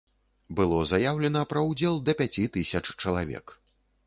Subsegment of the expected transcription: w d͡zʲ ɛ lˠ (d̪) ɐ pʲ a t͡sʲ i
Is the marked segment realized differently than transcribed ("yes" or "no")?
no